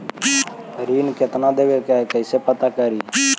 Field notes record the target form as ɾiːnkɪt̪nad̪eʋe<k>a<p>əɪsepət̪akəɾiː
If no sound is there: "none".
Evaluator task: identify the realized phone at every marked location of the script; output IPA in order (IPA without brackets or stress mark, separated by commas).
k, k